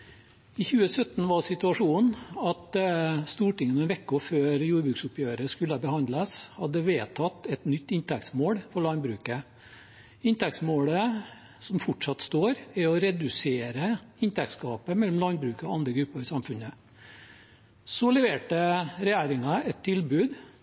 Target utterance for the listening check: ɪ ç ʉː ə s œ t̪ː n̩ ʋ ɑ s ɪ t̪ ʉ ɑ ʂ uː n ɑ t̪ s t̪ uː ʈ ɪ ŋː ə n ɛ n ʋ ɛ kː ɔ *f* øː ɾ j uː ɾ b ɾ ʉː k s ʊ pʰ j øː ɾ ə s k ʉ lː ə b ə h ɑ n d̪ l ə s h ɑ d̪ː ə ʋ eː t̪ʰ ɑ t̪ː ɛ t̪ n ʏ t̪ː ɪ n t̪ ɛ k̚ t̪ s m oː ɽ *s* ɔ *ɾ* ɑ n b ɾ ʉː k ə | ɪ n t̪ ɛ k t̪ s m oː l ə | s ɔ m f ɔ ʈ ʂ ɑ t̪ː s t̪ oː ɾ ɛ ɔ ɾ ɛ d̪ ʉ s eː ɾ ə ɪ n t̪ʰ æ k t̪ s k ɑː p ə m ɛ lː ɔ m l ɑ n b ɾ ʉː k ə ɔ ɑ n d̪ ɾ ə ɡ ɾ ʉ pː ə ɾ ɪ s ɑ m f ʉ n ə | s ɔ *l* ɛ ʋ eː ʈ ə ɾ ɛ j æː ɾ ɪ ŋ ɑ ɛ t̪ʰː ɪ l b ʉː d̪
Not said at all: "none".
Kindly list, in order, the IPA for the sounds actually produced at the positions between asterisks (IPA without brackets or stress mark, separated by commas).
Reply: f, f, ɭ, l